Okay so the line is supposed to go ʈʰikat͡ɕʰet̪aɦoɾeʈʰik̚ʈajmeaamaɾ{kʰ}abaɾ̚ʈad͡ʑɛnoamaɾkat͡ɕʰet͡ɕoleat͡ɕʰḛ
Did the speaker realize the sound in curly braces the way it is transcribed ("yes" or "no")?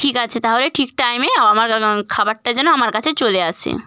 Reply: yes